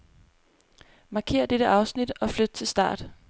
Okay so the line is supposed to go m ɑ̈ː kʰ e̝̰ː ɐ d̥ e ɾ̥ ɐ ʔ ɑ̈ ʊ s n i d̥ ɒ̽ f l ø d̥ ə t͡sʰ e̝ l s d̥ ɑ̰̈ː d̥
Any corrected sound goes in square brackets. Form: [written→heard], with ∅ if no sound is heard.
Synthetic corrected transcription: m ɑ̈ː kʰ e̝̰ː ɐ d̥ e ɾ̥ [ɐ→ə] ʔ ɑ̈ ʊ s n i d̥ ɒ̽ f l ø d̥ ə t͡sʰ e̝ l s d̥ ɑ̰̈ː d̥